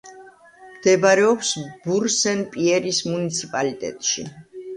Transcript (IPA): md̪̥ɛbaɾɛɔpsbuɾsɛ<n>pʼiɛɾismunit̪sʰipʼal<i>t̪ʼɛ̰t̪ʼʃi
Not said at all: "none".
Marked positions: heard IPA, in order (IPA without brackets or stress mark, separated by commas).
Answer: n, i